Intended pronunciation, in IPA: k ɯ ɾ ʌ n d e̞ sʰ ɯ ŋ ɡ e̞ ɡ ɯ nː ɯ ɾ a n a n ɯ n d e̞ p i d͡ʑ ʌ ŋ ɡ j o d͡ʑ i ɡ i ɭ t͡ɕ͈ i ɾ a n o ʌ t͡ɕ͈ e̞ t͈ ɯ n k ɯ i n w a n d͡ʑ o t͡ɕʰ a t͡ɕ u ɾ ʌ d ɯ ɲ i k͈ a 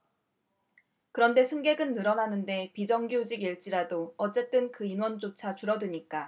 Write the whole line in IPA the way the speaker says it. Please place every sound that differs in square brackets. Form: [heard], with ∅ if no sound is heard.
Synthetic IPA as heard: k ɯ ɾ ʌ n d e̞ sʰ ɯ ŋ ɡ e̞ ɡ ɯ nː ɯ ɾ [ʌ] n a n ɯ n d e̞ p i d͡ʑ ʌ ŋ ɡ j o d͡ʑ i ɡ i ɭ t͡ɕ͈ i ɾ a [d] o ʌ t͡ɕ͈ e̞ t͈ ɯ n k ɯ i n w [ʌ] n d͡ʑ o t͡ɕʰ a t͡ɕ u ɾ ʌ d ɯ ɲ i k͈ a